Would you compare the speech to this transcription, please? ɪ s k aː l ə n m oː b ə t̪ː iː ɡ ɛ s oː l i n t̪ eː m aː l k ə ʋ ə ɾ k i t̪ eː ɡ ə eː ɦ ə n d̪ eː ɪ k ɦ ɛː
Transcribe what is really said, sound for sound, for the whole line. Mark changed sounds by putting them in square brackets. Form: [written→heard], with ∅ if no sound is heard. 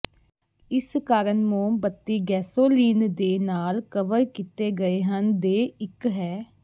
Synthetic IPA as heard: ɪ s k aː [l→ɾ] ə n m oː b ə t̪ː iː ɡ [ɛ→ɛː] s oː l [i→iː] n [t̪→d̪] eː [m→n] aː l k ə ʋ ə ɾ k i t̪ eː ɡ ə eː ɦ ə n d̪ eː ɪ k ɦ ɛː